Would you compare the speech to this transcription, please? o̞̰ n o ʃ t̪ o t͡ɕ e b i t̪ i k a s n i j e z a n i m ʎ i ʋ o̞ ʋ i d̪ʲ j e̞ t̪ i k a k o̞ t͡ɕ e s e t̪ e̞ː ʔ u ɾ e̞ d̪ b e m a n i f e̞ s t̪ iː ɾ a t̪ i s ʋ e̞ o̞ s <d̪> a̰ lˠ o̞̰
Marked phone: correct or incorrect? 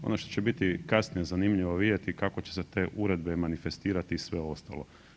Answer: incorrect